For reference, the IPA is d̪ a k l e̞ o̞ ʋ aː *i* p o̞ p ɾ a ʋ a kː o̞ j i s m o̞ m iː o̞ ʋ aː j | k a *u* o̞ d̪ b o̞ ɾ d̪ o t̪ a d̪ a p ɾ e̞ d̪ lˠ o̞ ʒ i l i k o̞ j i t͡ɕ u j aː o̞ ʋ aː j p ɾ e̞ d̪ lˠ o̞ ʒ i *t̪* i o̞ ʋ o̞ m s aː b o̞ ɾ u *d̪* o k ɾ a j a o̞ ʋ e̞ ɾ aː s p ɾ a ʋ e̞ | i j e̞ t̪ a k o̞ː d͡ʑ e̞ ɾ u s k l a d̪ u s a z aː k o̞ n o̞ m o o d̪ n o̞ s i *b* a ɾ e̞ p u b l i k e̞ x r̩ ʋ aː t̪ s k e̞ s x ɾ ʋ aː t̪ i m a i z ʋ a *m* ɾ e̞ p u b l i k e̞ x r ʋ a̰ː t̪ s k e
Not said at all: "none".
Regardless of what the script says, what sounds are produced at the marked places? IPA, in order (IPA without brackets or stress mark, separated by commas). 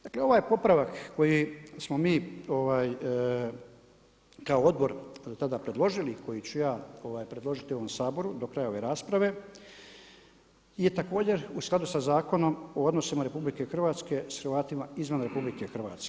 j, o, t̪, d̪, m, n